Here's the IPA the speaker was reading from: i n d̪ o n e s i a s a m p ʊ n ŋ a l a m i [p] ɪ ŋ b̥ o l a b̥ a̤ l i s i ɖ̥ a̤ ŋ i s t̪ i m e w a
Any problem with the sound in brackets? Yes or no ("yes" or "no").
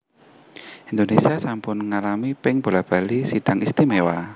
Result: no